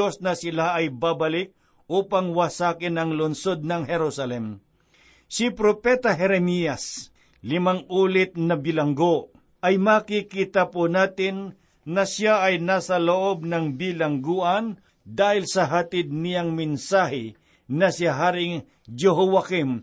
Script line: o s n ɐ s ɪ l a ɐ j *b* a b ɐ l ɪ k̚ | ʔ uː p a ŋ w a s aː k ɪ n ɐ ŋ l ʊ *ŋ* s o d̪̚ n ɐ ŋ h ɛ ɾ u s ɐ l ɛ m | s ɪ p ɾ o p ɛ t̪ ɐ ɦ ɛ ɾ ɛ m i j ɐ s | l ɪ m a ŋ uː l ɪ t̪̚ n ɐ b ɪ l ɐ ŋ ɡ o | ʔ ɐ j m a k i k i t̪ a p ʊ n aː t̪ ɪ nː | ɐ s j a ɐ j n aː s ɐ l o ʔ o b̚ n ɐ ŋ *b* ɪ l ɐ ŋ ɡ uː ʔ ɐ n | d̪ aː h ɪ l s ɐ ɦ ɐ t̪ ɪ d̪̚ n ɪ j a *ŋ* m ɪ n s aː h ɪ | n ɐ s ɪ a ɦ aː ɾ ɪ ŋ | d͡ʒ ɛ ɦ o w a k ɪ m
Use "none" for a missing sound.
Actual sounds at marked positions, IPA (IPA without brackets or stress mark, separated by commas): b, n, b, ŋ